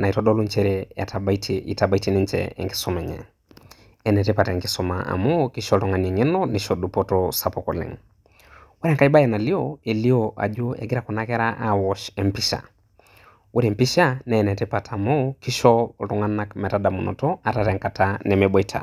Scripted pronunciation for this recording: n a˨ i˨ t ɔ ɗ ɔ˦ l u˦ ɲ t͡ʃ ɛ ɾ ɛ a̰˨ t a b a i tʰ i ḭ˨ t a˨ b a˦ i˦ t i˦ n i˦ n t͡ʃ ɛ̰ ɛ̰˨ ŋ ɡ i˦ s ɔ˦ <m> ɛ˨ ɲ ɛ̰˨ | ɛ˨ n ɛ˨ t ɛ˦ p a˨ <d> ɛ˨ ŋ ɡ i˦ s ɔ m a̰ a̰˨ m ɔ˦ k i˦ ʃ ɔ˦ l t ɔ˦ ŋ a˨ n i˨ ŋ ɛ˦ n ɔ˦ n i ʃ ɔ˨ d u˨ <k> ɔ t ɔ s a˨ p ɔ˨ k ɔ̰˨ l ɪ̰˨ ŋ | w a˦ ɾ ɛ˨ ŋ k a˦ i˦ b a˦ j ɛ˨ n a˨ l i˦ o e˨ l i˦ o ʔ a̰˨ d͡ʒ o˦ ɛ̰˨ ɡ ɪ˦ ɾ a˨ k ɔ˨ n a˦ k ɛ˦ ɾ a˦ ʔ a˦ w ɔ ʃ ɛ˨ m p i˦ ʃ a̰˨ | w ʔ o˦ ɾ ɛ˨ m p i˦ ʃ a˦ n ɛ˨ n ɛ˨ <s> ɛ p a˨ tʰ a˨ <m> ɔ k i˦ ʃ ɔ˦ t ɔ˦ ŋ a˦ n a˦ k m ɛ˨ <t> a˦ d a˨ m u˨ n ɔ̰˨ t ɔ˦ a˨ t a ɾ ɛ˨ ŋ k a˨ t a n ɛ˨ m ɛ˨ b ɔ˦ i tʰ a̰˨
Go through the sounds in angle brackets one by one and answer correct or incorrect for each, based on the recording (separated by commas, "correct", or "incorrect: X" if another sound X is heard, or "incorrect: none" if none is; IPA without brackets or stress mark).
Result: correct, incorrect: t, incorrect: p, incorrect: t, correct, correct